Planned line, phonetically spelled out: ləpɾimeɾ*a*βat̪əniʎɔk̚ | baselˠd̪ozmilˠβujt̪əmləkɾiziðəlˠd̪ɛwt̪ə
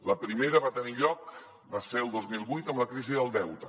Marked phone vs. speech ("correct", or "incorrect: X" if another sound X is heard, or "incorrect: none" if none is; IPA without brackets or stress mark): incorrect: ə